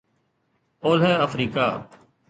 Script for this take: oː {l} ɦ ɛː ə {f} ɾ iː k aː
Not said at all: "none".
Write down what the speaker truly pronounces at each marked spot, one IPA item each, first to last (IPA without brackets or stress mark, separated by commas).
l, f